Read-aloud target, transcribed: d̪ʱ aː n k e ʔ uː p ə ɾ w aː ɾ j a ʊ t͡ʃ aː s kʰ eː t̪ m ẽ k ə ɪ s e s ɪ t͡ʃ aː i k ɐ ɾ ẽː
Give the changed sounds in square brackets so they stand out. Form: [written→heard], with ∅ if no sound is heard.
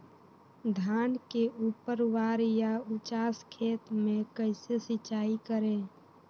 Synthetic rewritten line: d̪ʱ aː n k e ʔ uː p ə ɾ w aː ɾ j a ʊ t͡ʃ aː s kʰ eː t̪ m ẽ k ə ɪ s e s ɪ t͡ʃ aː i k [ɐ→ə] ɾ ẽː

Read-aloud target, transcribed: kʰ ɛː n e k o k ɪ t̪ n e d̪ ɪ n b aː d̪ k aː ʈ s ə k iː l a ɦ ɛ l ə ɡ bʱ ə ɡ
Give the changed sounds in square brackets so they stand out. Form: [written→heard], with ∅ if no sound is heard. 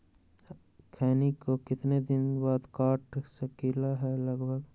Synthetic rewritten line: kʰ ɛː n [e→i] k o k ɪ t̪ n e d̪ ɪ n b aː d̪ k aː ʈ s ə k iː l a ɦ ɛ l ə ɡ bʱ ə ɡ

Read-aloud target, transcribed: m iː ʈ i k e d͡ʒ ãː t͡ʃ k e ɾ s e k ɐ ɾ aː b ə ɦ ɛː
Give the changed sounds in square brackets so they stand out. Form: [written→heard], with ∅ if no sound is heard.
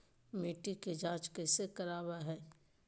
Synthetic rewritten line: m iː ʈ i k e d͡ʒ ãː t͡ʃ k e [ɾ→∅] s e k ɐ ɾ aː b [ə→a] ɦ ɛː

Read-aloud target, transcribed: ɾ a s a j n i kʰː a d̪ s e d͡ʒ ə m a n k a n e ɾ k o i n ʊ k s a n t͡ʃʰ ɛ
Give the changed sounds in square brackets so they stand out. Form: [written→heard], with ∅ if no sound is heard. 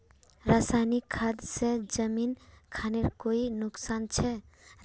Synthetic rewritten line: ɾ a s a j n i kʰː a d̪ s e d͡ʒ ə m [a→i] n [k→kʰ] a n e ɾ k o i n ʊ k s a n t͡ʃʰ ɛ

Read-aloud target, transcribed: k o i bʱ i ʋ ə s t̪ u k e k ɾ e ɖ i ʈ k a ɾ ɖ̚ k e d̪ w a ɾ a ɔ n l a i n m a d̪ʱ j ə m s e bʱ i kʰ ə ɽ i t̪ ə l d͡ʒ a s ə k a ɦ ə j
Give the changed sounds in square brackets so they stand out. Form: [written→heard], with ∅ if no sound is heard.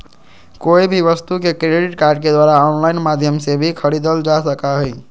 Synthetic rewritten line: k o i bʱ i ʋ ə s t̪ u k e k ɾ e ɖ i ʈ k a ɾ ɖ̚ k e d̪ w a ɾ a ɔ n l a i n m a d̪ʱ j ə m s e bʱ i kʰ ə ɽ i [t̪→d̪] ə l d͡ʒ a s ə k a ɦ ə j

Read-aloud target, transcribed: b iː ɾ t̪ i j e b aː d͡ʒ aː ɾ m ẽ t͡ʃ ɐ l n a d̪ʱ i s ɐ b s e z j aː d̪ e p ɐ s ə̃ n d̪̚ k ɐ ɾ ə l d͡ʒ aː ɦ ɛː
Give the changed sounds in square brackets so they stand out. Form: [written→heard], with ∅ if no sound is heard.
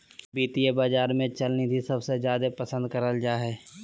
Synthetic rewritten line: b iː [ɾ→∅] t̪ i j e b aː d͡ʒ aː ɾ m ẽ t͡ʃ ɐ l n [a→i] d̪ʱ i s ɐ b s e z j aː d̪ e p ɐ s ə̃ n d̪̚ k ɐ ɾ ə l d͡ʒ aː ɦ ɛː

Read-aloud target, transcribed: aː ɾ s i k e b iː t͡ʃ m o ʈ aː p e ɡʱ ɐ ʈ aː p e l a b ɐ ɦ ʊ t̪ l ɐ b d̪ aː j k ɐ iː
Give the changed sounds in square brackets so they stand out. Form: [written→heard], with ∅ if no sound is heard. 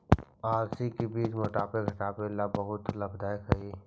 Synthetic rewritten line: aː ɾ s i k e b iː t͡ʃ m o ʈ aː p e ɡʱ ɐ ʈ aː p e l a b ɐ ɦ ʊ t̪ l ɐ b d̪ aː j k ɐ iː

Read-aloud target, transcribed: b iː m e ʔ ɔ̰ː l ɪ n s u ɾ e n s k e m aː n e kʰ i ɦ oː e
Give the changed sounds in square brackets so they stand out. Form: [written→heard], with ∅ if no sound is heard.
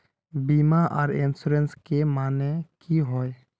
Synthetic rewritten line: b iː m [e→a] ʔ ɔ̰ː [l→ɾ] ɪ n s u ɾ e n s k e m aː n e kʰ i ɦ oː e

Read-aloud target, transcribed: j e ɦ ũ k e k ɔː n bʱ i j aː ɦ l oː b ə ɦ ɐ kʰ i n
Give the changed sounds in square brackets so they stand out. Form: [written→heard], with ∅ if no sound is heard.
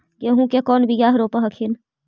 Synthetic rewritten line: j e ɦ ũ k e k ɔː n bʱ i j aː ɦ [l→ɾ] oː [b→p] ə ɦ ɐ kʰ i n

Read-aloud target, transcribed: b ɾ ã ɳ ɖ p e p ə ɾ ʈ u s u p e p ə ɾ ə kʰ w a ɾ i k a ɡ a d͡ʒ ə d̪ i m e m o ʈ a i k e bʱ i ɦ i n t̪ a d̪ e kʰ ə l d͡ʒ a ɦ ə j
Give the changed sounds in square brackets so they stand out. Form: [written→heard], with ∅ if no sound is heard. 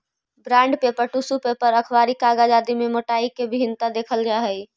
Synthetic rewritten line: b ɾ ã ɳ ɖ p e p ə ɾ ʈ u s u p e p ə ɾ ə kʰ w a ɾ i k a ɡ a d͡ʒ [ə→a] d̪ i m e m o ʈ a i k e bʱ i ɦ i n t̪ a d̪ e kʰ ə l d͡ʒ a ɦ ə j

